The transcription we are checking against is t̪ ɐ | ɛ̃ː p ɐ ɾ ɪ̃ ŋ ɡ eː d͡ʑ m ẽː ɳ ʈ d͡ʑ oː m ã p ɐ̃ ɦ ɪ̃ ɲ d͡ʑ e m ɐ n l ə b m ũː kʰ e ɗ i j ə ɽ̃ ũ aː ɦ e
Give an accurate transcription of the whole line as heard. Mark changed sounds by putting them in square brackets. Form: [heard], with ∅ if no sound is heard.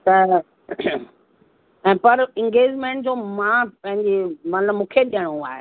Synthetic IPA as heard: t̪ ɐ | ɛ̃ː p ɐ ɾ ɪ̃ ŋ ɡ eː d͡ʑ m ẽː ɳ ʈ d͡ʑ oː m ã p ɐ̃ ɦ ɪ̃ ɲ d͡ʑ e m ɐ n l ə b m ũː kʰ e ɗ i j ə ɽ̃ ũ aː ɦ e